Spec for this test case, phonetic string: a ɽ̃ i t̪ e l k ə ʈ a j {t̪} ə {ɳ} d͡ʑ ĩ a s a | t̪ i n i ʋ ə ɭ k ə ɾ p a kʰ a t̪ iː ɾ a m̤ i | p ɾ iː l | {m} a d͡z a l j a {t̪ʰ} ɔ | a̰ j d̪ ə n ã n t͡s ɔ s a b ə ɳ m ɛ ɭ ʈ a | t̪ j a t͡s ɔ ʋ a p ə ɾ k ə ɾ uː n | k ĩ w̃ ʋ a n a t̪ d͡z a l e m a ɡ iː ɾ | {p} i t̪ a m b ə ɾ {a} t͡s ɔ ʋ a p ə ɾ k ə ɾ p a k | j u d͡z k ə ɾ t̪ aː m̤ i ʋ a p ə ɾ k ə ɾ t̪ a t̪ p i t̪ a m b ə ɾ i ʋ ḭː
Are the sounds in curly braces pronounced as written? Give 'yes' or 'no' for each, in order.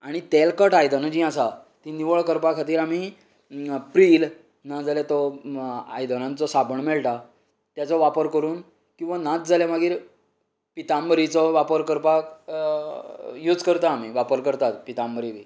no, no, no, no, yes, no

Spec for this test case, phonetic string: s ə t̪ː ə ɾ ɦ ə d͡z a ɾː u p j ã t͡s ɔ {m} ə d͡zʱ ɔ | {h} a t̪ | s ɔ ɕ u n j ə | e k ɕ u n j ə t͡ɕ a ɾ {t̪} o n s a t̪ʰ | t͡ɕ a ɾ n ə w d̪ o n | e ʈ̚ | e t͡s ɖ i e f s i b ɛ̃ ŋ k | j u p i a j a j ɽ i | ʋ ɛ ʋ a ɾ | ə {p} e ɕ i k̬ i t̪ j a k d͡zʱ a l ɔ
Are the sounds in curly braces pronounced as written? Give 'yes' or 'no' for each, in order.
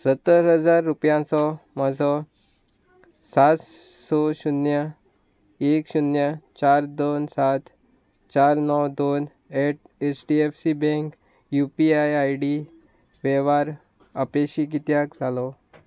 yes, no, no, yes

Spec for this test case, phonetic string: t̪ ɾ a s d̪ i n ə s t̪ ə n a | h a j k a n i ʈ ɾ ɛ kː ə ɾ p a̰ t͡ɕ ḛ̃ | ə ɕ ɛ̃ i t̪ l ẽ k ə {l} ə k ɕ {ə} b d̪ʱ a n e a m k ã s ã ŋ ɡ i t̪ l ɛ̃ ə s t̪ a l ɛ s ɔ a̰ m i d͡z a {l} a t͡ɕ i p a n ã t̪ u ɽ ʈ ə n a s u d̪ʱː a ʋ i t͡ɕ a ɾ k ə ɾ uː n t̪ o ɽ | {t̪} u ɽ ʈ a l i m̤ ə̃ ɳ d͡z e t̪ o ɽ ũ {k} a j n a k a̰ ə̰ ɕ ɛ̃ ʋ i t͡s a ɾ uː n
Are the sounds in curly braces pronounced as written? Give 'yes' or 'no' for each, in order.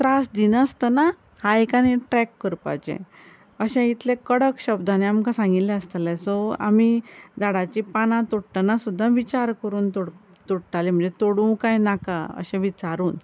no, yes, no, yes, yes

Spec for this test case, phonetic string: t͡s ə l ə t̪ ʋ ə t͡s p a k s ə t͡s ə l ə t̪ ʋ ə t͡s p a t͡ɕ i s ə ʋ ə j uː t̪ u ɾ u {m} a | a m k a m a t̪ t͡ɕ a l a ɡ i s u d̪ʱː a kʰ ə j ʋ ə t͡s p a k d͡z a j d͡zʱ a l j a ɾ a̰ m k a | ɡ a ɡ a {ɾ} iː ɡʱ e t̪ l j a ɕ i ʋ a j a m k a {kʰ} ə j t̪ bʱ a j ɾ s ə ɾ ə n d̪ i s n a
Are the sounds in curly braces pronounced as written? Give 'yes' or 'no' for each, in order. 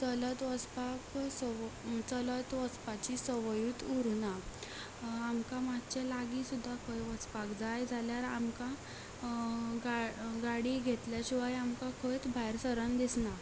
no, no, yes

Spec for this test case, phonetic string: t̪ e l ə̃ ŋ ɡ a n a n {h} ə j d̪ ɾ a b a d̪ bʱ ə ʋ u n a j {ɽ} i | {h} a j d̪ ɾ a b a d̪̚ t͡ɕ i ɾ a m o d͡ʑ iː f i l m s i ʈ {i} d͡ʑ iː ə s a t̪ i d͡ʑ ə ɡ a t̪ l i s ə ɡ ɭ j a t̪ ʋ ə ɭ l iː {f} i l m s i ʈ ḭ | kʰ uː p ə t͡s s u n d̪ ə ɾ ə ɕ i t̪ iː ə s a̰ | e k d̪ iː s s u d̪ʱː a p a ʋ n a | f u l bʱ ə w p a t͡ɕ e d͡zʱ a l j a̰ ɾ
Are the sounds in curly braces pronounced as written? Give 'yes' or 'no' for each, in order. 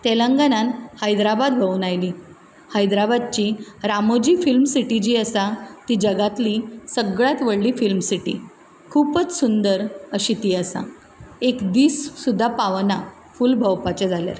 yes, no, yes, yes, yes

